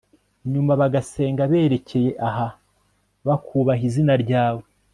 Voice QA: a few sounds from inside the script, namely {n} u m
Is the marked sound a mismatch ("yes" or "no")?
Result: yes